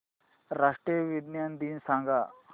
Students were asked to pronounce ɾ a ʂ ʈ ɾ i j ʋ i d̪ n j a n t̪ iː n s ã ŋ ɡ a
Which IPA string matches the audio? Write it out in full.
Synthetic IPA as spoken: ɾ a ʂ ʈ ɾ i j ʋ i d̪ n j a n d̪ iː n s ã ŋ ɡ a